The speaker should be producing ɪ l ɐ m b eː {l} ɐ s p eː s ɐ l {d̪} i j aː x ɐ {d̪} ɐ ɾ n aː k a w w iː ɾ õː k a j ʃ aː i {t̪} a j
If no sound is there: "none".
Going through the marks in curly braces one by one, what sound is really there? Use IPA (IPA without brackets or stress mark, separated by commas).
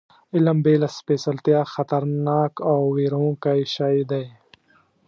l, t̪, t̪, d̪